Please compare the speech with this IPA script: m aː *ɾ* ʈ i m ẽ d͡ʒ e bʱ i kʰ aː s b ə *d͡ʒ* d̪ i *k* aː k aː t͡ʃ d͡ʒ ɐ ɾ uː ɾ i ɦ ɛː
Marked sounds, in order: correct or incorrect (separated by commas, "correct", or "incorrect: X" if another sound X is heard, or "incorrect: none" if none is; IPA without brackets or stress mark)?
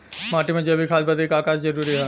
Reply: incorrect: none, incorrect: none, correct